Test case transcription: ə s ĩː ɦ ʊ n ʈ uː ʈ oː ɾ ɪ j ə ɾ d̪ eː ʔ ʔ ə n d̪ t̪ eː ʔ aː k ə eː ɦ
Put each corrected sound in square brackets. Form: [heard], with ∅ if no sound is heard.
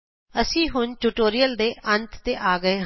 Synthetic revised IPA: ə s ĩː ɦ ʊ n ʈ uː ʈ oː ɾ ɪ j ə [l] d̪ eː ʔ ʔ ə n [t̪] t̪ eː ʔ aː [ɡ] ə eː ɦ